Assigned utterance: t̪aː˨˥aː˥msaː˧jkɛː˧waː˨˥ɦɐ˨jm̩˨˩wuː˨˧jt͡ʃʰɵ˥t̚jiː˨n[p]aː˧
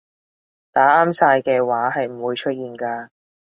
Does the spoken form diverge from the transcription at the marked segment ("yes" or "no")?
yes